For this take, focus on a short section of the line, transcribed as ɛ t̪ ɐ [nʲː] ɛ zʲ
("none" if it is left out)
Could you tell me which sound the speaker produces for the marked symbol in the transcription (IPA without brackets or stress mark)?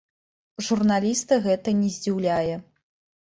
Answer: nʲ